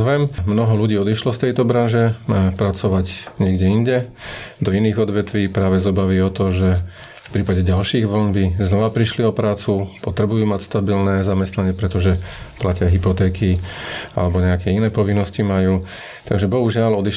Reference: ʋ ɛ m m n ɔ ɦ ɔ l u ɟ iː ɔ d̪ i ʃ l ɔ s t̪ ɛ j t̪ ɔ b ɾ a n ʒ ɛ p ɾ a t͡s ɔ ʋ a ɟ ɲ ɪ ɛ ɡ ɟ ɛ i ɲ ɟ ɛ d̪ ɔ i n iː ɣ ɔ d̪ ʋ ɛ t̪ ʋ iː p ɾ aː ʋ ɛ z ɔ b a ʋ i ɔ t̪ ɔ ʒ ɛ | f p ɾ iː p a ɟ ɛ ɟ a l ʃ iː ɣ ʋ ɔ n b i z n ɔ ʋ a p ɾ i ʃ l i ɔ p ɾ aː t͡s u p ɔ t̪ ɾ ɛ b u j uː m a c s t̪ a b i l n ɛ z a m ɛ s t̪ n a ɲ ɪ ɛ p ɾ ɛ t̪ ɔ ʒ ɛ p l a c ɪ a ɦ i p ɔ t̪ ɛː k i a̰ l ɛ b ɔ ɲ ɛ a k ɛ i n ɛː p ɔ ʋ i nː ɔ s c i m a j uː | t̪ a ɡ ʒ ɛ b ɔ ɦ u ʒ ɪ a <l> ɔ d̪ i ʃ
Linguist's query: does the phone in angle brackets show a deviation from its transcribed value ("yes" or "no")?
no